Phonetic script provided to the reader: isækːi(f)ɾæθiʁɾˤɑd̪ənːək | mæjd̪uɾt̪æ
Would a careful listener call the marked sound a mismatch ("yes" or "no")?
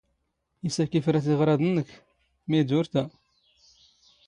no